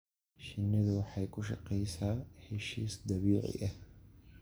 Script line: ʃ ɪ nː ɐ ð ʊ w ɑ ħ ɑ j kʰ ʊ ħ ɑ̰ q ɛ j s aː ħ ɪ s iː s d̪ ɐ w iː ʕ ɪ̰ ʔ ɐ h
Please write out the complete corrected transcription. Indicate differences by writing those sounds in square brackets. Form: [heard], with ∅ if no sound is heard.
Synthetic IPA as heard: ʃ ɪ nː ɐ ð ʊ w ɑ ħ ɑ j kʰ ʊ [ʃ] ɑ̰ q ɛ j s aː ħ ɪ [ʃ] iː s d̪ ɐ [β] iː ʕ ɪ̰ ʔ ɐ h